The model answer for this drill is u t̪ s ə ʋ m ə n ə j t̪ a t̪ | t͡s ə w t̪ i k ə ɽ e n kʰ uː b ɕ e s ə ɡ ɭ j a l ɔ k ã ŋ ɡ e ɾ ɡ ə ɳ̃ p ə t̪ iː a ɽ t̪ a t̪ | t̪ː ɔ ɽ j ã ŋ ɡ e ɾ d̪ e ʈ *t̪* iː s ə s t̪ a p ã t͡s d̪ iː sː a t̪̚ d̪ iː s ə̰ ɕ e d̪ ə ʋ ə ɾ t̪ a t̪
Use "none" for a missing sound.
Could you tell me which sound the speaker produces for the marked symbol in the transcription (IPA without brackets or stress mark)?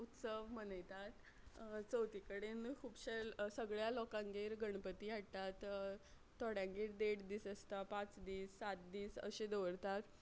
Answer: d̪